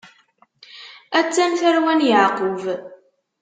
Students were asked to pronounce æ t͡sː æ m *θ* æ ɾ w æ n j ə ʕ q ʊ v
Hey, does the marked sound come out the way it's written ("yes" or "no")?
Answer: yes